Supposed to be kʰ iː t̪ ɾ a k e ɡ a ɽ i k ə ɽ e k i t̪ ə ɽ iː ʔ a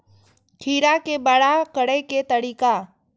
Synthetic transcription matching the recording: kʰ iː ɾ a k e b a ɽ a k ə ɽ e k e t̪ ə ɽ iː k a